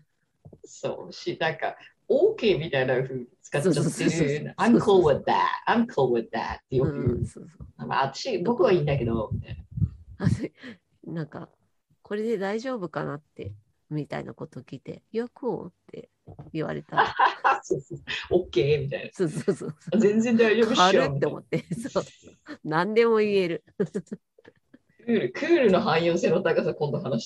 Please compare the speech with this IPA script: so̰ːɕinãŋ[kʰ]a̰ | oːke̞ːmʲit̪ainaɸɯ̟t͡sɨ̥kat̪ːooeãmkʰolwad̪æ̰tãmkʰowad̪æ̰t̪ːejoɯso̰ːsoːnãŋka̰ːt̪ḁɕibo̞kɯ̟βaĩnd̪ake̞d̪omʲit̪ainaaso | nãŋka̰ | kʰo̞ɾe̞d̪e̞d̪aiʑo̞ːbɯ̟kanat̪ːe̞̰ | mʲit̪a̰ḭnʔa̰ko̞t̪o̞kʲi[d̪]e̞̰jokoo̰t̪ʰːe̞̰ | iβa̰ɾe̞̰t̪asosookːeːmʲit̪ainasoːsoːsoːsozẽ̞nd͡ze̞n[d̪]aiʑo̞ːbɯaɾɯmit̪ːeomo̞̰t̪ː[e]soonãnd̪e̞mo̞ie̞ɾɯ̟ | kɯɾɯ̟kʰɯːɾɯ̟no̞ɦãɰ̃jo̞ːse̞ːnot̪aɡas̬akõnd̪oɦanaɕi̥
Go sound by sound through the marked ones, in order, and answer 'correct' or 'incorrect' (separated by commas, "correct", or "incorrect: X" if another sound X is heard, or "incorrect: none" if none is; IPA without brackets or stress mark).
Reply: incorrect: k, incorrect: t̪, correct, correct